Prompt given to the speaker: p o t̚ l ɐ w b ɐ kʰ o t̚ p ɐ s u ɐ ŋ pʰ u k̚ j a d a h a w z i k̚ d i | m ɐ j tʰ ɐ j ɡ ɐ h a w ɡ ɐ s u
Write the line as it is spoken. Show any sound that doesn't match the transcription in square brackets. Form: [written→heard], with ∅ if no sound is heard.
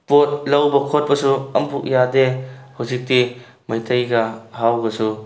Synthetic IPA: p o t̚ l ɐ w b ɐ kʰ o t̚ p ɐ s u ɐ [ŋ→m] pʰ u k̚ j a d [a→e] h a w z i k̚ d i | m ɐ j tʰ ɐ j ɡ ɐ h a w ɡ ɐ s u